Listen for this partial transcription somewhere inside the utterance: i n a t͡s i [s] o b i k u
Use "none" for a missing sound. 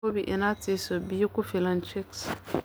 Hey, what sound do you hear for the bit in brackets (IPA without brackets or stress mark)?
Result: s